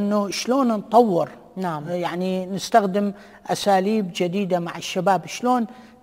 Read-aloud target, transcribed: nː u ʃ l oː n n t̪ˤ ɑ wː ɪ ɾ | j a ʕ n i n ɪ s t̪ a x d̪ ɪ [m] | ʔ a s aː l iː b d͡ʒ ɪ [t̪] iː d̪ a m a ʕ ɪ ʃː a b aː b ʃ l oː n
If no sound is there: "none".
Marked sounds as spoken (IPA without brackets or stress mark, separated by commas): m, d̪